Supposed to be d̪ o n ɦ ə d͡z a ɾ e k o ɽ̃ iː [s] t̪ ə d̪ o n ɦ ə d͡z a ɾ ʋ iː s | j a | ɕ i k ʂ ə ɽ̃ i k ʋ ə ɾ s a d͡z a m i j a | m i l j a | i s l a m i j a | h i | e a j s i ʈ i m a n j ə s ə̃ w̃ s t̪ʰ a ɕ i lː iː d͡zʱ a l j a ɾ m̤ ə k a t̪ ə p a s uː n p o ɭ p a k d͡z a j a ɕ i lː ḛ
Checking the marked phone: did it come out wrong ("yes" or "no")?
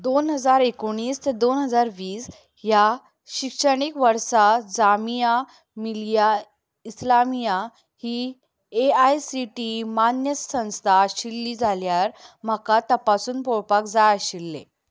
no